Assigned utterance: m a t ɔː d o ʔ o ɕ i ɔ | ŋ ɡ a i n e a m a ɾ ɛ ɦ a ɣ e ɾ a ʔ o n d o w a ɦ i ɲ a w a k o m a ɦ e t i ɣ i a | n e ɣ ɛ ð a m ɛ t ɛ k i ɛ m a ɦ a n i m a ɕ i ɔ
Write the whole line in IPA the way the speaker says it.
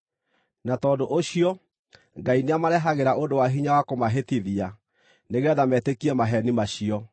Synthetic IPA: n a t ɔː d o ʔ o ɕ i ɔ | ŋ ɡ a i n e a m a ɾ ɛ ɦ a ɣ e ɾ a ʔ o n d o w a ɦ i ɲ a w a k o m a ɦ e t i ð i a | n e ɣ ɛ ð a m ɛ t e k i ɛ m a ɦ ɛ n i m a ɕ i ɔ